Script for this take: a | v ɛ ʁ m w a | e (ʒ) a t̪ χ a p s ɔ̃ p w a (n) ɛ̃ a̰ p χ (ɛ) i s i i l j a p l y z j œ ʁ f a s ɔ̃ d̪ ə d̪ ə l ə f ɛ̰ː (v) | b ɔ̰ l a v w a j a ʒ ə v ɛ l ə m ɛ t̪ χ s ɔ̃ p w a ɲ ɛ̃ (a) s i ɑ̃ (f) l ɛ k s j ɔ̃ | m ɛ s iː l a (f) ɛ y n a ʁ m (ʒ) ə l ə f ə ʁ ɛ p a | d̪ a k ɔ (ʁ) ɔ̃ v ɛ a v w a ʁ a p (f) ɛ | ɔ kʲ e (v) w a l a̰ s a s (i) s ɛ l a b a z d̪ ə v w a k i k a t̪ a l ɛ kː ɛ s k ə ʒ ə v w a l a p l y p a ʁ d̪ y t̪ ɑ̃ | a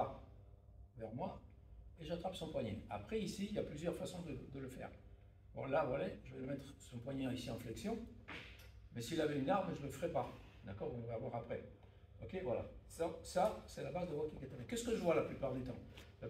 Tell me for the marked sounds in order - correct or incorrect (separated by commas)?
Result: correct, incorrect, correct, incorrect, incorrect, correct, incorrect, correct, correct, incorrect, correct, incorrect